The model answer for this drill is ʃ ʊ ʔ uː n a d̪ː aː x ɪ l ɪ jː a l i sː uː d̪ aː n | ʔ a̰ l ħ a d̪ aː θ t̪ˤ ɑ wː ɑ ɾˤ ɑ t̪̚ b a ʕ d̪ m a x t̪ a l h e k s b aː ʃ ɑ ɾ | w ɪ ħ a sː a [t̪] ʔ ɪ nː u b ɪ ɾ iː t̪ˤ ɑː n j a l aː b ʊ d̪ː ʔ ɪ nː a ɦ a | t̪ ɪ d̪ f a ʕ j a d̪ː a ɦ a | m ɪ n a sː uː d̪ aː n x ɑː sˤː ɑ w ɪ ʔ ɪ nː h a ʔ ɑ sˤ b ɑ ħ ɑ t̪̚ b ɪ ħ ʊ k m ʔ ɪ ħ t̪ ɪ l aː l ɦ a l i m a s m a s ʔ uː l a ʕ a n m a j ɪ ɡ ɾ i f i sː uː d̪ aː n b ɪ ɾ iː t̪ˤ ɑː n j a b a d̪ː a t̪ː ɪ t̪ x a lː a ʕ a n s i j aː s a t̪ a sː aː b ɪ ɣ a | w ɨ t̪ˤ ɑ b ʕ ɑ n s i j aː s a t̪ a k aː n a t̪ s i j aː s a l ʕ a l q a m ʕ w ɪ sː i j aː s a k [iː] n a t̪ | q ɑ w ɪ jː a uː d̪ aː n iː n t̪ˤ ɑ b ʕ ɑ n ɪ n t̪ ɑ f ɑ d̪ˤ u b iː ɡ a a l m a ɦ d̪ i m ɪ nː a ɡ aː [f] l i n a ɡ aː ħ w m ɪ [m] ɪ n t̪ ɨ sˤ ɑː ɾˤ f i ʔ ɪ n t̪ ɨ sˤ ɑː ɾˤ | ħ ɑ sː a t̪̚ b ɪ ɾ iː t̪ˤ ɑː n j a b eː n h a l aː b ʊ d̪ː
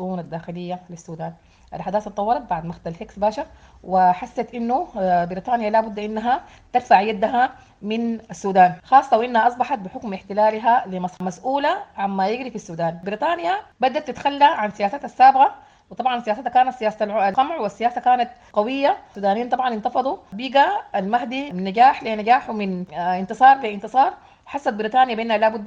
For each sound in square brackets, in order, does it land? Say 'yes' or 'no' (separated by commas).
yes, no, no, no